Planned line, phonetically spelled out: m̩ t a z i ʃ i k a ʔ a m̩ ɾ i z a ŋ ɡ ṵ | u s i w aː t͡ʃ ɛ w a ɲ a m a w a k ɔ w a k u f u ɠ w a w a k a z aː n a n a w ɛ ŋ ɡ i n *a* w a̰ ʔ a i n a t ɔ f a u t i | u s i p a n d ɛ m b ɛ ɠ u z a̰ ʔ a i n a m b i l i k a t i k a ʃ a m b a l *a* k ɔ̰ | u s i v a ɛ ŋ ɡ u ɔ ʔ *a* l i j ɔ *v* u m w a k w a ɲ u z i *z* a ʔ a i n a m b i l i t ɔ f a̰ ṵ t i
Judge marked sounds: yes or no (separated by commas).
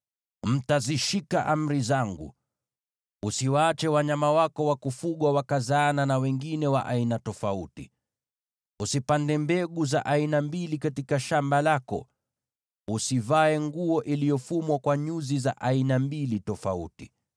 no, yes, no, no, yes